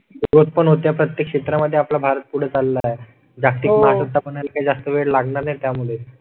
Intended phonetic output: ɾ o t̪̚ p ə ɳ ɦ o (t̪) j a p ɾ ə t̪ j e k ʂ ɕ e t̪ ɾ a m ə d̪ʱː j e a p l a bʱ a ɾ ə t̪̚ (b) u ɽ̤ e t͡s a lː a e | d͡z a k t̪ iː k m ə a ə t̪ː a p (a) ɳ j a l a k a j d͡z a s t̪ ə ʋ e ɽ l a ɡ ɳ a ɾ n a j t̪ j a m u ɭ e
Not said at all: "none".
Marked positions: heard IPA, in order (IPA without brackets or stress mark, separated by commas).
t̪, p, ə